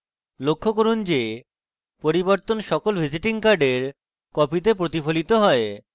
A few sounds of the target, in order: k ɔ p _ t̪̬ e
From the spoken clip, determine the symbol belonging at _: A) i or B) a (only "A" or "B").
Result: A